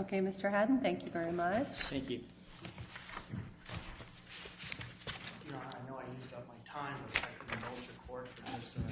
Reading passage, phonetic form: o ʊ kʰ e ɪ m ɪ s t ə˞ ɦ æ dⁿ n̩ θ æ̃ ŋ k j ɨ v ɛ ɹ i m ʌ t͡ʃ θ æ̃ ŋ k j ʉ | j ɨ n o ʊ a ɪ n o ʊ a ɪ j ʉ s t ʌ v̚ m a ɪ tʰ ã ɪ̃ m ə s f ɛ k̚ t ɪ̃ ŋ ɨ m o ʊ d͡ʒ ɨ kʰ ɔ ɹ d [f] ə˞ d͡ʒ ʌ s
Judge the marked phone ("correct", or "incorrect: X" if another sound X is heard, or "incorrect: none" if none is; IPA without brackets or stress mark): correct